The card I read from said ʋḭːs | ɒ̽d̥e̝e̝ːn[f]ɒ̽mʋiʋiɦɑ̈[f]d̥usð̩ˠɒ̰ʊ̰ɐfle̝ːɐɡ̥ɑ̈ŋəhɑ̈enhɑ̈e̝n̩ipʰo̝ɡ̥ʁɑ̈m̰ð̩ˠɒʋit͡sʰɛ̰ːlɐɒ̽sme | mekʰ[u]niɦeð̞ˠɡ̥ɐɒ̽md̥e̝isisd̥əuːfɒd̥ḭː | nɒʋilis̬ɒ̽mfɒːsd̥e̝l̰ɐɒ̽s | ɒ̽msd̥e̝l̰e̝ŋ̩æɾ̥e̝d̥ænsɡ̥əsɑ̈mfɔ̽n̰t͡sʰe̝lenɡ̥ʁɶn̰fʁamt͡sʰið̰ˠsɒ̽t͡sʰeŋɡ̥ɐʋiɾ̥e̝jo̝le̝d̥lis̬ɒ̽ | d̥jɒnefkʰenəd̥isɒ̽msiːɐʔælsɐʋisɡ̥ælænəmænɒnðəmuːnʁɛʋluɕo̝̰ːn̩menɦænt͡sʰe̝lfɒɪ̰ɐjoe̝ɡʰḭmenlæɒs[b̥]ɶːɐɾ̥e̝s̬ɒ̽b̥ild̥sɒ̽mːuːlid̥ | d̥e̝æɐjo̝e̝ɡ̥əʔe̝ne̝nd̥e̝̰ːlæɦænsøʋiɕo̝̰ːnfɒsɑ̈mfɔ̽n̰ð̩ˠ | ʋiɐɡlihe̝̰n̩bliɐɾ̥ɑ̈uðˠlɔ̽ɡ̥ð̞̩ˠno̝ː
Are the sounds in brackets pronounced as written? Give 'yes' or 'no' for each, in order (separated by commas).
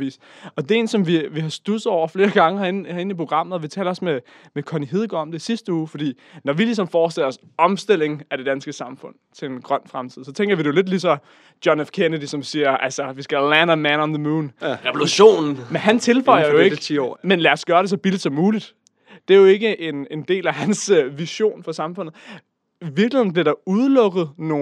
no, no, no, no